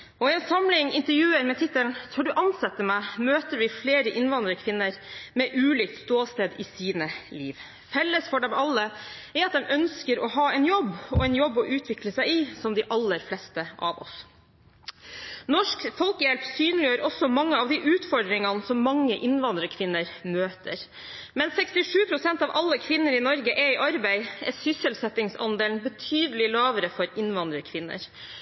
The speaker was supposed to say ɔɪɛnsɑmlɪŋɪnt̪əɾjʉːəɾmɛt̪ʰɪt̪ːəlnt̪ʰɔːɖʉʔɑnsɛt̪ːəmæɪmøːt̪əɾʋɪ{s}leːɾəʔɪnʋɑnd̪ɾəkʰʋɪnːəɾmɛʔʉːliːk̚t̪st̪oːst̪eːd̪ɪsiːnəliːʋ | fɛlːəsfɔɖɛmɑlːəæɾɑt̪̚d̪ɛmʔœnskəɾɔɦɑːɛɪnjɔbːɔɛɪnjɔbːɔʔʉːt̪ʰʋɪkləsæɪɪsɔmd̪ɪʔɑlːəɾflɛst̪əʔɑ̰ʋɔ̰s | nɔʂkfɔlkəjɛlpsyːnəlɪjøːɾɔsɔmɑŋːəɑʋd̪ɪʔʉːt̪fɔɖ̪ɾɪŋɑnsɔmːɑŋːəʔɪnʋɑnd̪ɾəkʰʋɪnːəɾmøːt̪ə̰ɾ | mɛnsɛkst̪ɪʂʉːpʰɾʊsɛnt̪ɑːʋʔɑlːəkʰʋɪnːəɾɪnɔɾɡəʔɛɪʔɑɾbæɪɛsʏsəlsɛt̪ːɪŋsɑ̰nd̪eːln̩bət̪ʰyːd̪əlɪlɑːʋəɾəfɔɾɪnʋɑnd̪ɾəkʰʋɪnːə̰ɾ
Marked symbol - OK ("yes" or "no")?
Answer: no